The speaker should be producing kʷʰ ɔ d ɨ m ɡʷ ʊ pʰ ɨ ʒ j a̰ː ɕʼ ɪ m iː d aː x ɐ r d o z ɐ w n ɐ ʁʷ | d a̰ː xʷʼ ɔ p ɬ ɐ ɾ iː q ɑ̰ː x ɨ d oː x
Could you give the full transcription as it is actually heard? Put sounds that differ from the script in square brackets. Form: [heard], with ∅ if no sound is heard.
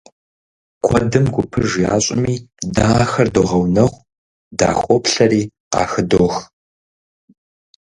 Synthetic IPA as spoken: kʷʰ ɔ d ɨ m ɡʷ ʊ pʰ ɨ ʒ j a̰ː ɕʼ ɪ m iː d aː x ɐ r d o [ʁ] ɐ w n ɐ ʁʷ | d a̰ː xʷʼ ɔ p ɬ ɐ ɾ iː q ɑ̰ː x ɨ d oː x